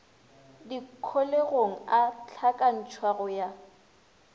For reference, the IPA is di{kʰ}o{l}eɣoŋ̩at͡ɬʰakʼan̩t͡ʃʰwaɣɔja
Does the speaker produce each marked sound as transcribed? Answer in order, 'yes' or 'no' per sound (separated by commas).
yes, yes